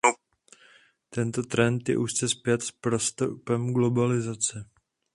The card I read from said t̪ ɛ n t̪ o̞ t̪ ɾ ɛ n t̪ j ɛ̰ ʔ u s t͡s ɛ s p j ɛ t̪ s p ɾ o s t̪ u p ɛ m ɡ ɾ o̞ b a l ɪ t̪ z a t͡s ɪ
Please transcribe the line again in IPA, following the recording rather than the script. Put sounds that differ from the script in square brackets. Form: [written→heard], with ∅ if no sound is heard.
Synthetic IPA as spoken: t̪ ɛ n t̪ o̞ t̪ ɾ ɛ n t̪ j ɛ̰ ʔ u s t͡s ɛ s p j ɛ t̪ s p ɾ o s t̪ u p ɛ m ɡ [ɾ→l] o̞ b a l ɪ [t̪→∅] z a t͡s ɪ